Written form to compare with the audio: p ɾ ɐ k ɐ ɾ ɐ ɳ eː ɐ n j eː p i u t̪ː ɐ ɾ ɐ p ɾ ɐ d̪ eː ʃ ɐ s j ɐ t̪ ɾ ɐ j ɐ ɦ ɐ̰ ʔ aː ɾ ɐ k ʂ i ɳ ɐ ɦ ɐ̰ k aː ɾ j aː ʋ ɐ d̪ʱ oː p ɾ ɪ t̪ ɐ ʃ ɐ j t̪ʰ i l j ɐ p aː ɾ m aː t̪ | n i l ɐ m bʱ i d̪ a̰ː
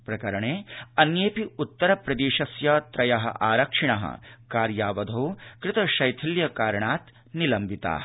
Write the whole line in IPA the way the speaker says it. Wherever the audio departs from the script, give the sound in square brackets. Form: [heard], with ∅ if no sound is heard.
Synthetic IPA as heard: p ɾ ɐ k ɐ ɾ ɐ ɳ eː ɐ n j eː p i u t̪ː ɐ ɾ ɐ p ɾ ɐ d̪ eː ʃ ɐ s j ɐ t̪ ɾ ɐ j ɐ ɦ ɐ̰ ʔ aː ɾ ɐ k ʂ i ɳ ɐ ɦ ɐ̰ k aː ɾ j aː ʋ ɐ d̪ʱ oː [k] ɾ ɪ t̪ ɐ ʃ ɐ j t̪ʰ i l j ɐ [k] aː ɾ [ɳ] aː t̪ | n i l ɐ m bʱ i [t̪] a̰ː